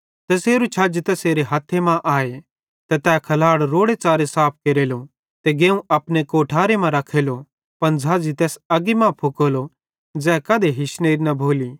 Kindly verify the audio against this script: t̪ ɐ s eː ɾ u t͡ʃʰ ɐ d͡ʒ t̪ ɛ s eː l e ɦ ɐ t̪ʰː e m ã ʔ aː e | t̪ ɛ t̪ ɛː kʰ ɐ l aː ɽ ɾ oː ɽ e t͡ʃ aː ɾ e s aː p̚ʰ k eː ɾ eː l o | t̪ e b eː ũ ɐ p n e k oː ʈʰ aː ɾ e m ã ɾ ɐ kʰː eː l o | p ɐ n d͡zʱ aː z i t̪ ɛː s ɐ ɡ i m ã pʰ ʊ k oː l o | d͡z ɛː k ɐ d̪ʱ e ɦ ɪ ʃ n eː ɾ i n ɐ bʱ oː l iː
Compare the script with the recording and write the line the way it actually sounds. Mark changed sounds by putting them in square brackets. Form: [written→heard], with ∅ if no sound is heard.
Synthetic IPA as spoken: t̪ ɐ s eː ɾ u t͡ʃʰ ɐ d͡ʒ t̪ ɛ s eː [l→ɾ] e ɦ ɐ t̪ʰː e m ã ʔ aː e | t̪ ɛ t̪ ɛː kʰ ɐ l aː ɽ ɾ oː ɽ e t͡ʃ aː ɾ e s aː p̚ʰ k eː ɾ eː l o | t̪ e [b→ɡ] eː ũ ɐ p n e k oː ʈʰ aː ɾ e m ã ɾ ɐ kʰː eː l o | p ɐ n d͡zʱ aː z i t̪ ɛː s ɐ ɡ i m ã pʰ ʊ k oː l o | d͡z ɛː k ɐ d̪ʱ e ɦ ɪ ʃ n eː ɾ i n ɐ bʱ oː l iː

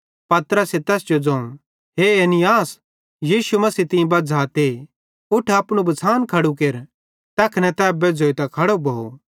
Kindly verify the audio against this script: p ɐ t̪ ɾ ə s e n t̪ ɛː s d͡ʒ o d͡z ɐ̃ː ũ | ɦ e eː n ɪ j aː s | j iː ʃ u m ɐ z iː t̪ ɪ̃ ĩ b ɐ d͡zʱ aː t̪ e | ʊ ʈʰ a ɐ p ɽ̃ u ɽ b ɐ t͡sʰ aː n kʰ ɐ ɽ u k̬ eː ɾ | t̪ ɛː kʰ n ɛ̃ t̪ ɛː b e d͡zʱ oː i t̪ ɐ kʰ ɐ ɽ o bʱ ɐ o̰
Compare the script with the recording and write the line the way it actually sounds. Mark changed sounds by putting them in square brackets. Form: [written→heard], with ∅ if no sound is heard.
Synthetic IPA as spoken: p ɐ t̪ ɾ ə s e [n→∅] t̪ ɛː s d͡ʒ o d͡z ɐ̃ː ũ | ɦ e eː n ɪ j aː s | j iː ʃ u m ɐ [z→s] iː t̪ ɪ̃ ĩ b ɐ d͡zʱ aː t̪ e | ʊ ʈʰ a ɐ p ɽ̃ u [ɽ→∅] b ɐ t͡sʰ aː n kʰ ɐ ɽ u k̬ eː ɾ | t̪ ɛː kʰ n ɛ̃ t̪ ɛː b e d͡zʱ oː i t̪ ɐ kʰ ɐ ɽ o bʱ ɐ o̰

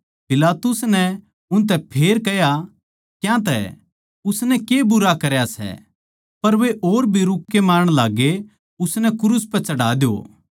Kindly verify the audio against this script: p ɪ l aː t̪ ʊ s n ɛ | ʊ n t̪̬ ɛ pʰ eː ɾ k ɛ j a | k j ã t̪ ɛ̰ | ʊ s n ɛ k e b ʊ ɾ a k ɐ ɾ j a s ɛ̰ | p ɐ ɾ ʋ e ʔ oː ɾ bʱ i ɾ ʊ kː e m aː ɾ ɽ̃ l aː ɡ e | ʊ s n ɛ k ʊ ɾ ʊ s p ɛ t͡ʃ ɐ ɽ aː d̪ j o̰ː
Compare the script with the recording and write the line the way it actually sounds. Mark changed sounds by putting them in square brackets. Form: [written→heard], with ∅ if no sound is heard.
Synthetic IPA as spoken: p ɪ l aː t̪ ʊ s n ɛ | ʊ n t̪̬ ɛ pʰ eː ɾ k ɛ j a | k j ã t̪ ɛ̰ | ʊ s n ɛ k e b ʊ ɾ a k ɐ ɾ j a s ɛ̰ | p ɐ ɾ ʋ e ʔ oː ɾ bʱ i ɾ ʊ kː e m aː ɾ ɽ̃ l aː ɡ e | ʊ s n ɛ k ʊ ɾ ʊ s p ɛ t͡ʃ ɐ ɽ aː d̪ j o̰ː

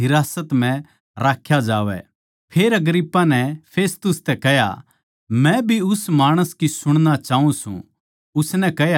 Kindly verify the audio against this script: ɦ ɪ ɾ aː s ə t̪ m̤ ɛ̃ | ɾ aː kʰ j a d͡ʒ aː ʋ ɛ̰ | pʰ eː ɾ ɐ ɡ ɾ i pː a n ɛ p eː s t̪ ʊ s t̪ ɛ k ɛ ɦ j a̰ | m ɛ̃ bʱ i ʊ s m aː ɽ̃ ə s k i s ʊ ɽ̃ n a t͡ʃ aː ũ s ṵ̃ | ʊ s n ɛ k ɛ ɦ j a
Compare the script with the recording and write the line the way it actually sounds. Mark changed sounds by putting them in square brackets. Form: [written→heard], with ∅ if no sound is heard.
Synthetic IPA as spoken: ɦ ɪ ɾ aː s ə t̪ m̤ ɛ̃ | ɾ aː kʰ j a d͡ʒ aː ʋ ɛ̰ | pʰ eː ɾ ɐ ɡ ɾ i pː a n ɛ [p→pʰ] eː s t̪ ʊ s t̪ ɛ k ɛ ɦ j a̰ | m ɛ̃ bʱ i ʊ s m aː ɽ̃ ə s k i s ʊ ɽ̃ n a t͡ʃ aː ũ s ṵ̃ | ʊ s n ɛ k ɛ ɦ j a

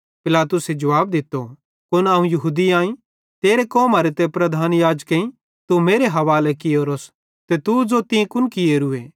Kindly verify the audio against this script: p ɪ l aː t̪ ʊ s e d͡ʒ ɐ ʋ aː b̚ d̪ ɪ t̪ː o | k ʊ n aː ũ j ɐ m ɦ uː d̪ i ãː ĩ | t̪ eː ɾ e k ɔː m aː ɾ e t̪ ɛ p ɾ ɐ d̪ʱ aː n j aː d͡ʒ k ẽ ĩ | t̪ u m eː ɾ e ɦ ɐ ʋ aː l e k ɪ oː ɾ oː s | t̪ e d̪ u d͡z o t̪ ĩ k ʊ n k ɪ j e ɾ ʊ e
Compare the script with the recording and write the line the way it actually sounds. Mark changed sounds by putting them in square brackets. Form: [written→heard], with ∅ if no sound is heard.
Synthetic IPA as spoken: p ɪ l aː t̪ ʊ s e d͡ʒ ɐ ʋ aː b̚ d̪ ɪ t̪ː o | k ʊ n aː ũ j ɐ [m→∅] ɦ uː d̪ i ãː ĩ | t̪ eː ɾ e k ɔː m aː ɾ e t̪ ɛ p ɾ ɐ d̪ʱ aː n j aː d͡ʒ k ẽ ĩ | t̪ u m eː ɾ e ɦ ɐ ʋ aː l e k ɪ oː ɾ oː s | t̪ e [d̪→t̪] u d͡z o t̪ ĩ k ʊ n k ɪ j e ɾ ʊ e

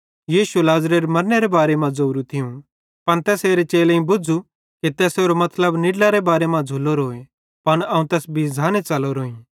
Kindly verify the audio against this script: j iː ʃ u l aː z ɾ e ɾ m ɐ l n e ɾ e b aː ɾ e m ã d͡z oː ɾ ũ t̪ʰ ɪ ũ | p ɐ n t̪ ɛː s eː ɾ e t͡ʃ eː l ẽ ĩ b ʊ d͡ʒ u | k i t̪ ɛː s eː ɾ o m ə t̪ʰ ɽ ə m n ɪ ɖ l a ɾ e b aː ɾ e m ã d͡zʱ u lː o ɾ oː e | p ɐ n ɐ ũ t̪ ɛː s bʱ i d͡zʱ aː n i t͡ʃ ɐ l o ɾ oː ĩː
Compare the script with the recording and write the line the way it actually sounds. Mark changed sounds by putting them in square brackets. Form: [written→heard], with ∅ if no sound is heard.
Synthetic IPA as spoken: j iː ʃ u l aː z ɾ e ɾ m ɐ [l→ɾ] n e ɾ e b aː ɾ e m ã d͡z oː ɾ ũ t̪ʰ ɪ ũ | p ɐ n t̪ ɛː s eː ɾ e t͡ʃ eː l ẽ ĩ b ʊ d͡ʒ u | k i t̪ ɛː s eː ɾ o m [ə→ɐ] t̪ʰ [ɽ→l] ə [m→b] n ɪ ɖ l a ɾ e b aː ɾ e m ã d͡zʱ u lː o ɾ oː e | p ɐ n ɐ ũ t̪ ɛː s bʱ i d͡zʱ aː n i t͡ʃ ɐ l o ɾ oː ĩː

